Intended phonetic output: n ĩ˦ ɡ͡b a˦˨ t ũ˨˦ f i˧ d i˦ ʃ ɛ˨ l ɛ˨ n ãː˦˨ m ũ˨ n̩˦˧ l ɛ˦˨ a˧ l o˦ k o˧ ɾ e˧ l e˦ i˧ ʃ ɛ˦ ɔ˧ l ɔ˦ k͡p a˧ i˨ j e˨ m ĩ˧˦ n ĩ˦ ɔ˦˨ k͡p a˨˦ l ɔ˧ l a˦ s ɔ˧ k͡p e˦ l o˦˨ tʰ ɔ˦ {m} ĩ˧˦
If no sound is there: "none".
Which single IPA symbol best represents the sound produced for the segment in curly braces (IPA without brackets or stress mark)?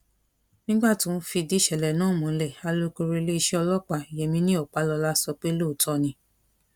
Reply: n